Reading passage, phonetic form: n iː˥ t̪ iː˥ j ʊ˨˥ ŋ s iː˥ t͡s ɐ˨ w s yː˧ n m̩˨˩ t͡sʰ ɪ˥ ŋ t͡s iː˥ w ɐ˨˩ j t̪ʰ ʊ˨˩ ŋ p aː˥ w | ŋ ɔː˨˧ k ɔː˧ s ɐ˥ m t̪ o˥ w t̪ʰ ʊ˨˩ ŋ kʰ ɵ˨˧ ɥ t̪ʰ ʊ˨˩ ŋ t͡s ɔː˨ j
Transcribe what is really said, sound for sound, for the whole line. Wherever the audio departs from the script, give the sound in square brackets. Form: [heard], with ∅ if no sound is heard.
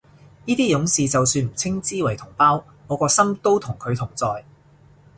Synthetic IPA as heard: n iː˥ t̪ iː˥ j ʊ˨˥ ŋ s [iː˨] t͡s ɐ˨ w s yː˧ n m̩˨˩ t͡sʰ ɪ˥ ŋ t͡s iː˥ w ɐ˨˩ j t̪ʰ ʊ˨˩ ŋ p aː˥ w | ŋ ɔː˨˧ k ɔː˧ s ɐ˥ m t̪ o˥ w t̪ʰ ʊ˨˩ ŋ kʰ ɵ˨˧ ɥ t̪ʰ ʊ˨˩ ŋ t͡s ɔː˨ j